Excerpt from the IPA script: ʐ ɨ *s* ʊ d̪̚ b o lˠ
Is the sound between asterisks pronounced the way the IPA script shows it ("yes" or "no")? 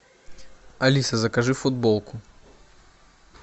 no